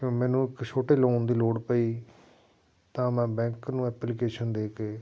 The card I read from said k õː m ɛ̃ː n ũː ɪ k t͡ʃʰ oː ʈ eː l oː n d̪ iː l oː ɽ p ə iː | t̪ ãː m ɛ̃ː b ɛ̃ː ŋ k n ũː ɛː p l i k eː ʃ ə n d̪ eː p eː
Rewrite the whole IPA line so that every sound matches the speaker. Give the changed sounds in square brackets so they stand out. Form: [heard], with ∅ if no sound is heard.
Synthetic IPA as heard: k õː m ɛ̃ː n ũː ɪ k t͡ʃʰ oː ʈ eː l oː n d̪ iː l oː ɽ p ə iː | t̪ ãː m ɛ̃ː b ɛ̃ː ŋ k n ũː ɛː p l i k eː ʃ ə n d̪ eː [k] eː